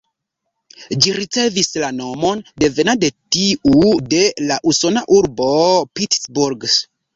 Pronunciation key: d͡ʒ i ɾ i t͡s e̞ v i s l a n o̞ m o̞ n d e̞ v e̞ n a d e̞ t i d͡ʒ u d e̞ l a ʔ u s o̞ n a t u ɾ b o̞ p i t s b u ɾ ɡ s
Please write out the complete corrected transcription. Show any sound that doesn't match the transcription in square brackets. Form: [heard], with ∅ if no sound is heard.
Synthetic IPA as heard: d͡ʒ i ɾ i t͡s e̞ v i s l a n o̞ m o̞ n d e̞ v e̞ n a d e̞ t i [∅] u d e̞ l a ʔ u s o̞ n a [ʔ] u ɾ b o̞ p i t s b u ɾ ɡ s